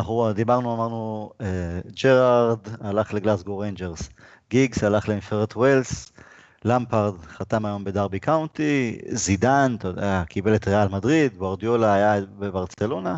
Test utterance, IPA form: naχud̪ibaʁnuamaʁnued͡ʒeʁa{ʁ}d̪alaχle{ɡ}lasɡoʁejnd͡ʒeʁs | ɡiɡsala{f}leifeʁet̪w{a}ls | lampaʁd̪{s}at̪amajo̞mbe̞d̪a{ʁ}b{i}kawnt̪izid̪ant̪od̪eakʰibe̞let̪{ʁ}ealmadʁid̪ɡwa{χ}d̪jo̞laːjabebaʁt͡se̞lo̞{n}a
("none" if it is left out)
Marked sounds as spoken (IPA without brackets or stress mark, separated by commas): ʁ, ɡ, χ, e, χ, ʁ, i, ʁ, ʁ, n